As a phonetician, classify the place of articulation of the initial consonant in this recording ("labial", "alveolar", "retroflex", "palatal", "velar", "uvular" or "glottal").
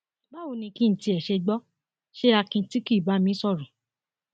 labial